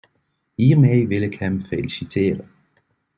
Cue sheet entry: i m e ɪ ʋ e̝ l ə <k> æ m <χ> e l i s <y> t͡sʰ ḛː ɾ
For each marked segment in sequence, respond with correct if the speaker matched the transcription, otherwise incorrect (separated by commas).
incorrect, incorrect, incorrect